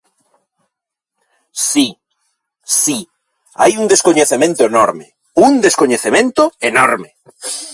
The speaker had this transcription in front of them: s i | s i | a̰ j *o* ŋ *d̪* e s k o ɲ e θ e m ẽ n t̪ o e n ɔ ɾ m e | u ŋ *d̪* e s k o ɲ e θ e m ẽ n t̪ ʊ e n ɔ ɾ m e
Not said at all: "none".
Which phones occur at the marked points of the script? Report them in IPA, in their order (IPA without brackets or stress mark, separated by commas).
u, d̪, d̪